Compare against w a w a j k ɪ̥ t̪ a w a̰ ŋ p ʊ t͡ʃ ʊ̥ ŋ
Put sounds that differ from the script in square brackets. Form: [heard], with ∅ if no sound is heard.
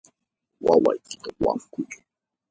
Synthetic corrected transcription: w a w a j k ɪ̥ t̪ a w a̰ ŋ [k] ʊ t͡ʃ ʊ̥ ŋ